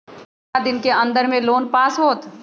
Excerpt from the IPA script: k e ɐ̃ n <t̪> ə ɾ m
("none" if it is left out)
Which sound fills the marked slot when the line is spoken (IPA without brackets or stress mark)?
d̪